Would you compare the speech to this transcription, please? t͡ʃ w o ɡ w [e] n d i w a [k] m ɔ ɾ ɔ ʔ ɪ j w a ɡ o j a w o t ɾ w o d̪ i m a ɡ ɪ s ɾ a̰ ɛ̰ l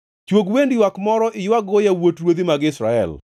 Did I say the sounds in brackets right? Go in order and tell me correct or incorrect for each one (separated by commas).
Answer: correct, correct